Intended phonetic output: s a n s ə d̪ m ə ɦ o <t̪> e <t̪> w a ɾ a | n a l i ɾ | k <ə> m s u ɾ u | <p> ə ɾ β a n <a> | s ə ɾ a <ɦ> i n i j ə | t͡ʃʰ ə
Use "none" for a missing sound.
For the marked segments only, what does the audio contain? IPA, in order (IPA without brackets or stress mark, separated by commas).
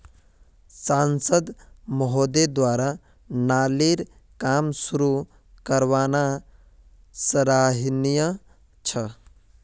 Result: d̪, d̪, a, k, a, ɦ